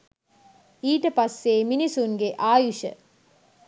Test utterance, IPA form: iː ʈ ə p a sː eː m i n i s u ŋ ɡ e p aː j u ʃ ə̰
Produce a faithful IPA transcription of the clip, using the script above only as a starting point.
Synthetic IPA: iː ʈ ə p a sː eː m i n i s u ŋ ɡ e ʔ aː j u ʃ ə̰